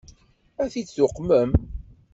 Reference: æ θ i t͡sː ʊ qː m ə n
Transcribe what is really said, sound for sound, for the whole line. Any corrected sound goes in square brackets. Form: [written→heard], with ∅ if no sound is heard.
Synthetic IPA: æ θ i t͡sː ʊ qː m ə [n→m]